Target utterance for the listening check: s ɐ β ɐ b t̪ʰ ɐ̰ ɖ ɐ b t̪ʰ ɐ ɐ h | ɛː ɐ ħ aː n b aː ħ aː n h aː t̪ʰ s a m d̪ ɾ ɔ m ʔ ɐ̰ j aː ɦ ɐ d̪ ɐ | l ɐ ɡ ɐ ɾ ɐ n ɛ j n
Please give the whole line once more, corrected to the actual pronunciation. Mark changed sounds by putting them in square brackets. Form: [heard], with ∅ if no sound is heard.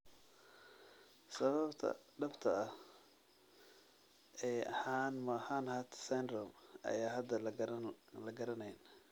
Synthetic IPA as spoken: s ɐ β ɐ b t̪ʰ ɐ̰ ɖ ɐ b t̪ʰ ɐ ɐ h | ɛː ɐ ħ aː n [m] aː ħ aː n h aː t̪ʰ s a [n] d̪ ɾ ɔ m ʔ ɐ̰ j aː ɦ ɐ d̪ ɐ | l ɐ ɡ ɐ ɾ ɐ n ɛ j n